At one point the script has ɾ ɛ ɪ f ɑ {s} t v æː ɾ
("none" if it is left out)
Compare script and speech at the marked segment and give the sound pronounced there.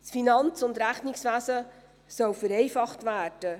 χ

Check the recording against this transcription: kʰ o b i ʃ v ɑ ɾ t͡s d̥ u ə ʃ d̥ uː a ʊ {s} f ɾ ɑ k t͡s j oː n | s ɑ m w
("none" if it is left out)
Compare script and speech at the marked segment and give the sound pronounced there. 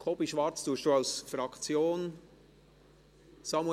s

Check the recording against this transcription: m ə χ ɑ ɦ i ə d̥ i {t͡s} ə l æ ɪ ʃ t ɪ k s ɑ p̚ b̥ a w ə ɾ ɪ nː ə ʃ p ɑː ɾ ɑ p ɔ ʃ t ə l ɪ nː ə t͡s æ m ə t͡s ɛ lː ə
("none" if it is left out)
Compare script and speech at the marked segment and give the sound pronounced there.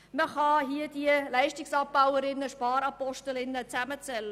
none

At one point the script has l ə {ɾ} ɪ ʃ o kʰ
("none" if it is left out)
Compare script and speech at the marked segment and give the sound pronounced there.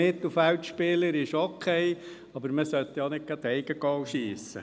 ɾ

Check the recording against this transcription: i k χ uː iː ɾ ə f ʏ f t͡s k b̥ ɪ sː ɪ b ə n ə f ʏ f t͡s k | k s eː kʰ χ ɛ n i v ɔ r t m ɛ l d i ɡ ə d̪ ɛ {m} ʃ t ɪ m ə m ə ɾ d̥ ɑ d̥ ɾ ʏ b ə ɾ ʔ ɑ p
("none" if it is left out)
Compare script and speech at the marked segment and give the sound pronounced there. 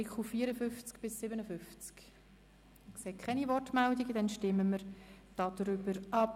n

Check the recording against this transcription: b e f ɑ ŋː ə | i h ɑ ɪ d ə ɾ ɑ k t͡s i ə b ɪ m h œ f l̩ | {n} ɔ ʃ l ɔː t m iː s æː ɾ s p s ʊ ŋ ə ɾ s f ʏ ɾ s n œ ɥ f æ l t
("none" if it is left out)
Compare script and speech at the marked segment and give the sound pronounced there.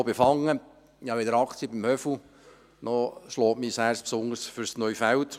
n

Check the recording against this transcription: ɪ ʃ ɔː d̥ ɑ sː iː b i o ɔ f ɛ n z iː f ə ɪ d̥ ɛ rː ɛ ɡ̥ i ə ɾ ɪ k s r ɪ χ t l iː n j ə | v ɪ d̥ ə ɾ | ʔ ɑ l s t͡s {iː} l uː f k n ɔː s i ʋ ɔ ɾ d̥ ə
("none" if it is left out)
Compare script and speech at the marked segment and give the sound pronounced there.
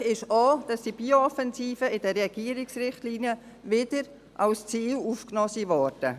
iː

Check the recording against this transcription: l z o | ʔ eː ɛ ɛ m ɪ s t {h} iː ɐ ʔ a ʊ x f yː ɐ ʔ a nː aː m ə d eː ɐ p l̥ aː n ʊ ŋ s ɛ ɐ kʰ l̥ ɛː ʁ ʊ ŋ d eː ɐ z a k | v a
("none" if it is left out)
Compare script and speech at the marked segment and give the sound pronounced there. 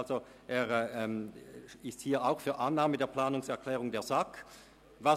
h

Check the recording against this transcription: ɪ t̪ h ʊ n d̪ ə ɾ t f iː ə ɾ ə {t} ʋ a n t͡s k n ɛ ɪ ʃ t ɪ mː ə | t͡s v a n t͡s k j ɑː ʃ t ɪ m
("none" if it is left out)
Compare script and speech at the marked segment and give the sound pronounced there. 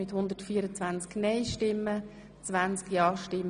t͡s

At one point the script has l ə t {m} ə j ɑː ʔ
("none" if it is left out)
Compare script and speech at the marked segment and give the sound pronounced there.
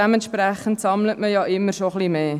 m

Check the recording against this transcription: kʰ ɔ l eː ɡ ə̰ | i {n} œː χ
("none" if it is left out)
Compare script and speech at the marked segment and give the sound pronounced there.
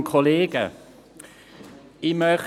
m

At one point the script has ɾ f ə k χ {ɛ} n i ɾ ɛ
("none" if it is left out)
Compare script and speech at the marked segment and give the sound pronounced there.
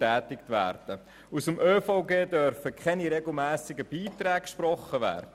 ɛ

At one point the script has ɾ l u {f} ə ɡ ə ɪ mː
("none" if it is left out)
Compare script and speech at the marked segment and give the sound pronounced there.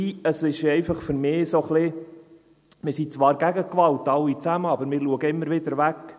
none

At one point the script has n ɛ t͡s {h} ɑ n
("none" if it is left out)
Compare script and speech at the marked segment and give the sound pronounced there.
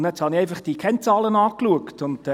h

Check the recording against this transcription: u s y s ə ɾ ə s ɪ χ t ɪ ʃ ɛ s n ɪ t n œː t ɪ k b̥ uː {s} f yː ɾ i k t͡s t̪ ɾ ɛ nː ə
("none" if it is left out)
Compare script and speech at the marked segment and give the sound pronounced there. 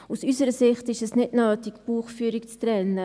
χ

